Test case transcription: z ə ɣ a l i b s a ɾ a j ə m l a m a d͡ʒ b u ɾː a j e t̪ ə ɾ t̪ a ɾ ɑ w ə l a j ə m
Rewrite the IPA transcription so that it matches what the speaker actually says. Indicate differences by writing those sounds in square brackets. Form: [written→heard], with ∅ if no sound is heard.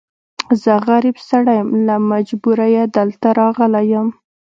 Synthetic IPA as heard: z ə ɣ a [l→ɾ] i b s a [ɾ→ɽ] a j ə m l a m a d͡ʒ b u [ɾː→ɾ] a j e [t̪→d̪] ə [ɾ→l] t̪ a ɾ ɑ [w→ɣ] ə l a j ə m